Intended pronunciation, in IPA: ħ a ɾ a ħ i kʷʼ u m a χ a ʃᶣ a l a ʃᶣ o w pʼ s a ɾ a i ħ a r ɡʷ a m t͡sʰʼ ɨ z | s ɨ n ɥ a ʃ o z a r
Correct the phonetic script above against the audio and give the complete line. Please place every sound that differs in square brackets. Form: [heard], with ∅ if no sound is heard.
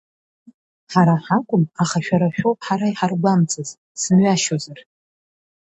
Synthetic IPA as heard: ħ a ɾ a ħ [a] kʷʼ [ʊ] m a χ a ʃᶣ a [ɾ] a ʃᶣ o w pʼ [ħ] a ɾ a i ħ a r ɡʷ a m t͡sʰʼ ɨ z | s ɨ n ɥ a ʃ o z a r